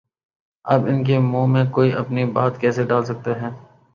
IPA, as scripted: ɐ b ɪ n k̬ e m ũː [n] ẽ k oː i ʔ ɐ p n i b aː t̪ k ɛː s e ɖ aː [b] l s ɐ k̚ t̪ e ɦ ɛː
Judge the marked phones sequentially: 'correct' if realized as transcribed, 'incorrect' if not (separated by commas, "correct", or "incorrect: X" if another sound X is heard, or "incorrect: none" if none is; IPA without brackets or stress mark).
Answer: incorrect: m, incorrect: none